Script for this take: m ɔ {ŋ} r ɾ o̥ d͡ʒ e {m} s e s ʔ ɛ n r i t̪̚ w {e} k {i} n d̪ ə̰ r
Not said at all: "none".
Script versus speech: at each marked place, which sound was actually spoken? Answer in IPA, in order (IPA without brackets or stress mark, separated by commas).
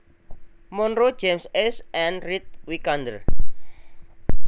n, m, i, a